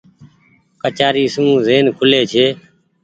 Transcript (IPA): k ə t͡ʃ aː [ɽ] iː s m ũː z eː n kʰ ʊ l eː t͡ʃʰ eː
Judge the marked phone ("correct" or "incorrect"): incorrect